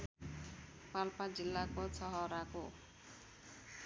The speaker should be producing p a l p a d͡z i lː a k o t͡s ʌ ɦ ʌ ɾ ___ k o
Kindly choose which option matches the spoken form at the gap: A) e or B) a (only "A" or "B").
B